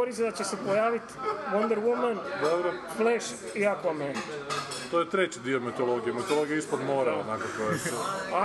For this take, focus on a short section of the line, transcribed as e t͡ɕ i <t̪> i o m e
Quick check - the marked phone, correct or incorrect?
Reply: incorrect